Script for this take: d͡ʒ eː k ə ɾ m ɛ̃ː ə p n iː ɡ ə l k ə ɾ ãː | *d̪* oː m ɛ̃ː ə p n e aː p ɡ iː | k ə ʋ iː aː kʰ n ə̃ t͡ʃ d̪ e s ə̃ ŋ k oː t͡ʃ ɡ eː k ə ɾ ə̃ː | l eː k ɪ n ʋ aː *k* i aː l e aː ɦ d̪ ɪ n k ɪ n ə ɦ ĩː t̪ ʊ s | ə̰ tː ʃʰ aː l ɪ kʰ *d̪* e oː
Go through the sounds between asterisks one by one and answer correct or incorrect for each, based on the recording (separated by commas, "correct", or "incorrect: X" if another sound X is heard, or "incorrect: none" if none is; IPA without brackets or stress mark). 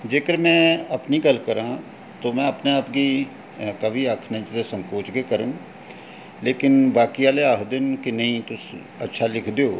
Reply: incorrect: t̪, correct, correct